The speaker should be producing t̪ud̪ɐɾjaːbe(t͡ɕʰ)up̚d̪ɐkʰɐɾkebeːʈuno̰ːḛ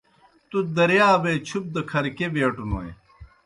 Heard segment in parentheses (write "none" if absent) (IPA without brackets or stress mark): t͡ɕʰ